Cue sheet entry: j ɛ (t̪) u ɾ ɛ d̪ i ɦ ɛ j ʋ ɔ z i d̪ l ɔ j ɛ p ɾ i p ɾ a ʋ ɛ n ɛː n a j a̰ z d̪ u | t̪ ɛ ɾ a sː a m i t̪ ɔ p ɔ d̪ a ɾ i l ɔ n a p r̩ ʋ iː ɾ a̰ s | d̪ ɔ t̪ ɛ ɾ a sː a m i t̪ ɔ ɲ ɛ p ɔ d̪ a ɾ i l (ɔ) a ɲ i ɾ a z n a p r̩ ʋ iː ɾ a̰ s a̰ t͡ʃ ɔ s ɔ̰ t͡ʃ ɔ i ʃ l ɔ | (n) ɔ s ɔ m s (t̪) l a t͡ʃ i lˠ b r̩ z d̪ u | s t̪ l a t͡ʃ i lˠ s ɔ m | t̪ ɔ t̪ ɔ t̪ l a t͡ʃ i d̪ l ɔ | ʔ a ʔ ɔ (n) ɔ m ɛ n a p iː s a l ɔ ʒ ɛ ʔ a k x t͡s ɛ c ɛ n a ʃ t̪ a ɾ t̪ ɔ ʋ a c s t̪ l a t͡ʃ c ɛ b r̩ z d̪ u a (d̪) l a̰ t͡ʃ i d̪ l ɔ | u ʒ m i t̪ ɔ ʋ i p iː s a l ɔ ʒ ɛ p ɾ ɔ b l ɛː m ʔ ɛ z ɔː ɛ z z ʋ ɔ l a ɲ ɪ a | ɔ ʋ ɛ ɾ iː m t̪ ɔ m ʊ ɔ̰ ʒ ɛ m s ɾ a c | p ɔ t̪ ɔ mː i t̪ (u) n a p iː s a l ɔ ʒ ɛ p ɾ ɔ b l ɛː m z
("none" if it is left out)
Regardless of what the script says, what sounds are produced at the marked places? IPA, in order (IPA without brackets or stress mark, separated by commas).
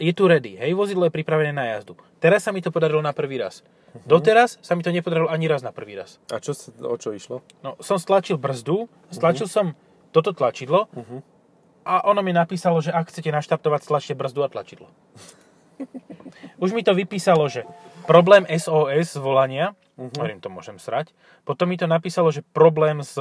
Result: t̪, ɔ, n, t̪, n, t̪, ɔ